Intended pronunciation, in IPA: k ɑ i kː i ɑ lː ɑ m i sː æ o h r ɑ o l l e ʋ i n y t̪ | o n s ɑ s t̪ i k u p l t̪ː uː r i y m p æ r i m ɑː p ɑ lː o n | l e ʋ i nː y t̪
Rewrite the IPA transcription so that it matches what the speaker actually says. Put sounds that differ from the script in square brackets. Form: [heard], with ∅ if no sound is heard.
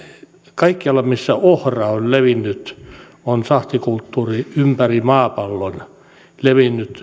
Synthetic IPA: k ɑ i kː i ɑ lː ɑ m i sː æ o h r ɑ o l l e ʋ i [nː] y t̪ | o n s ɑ [h] t̪ i k u [∅] l t̪ː uː r i y m p æ r i m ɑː p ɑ lː o n | l e ʋ i nː y t̪